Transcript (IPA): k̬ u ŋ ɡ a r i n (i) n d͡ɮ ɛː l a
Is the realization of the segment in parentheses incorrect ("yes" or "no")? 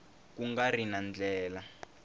yes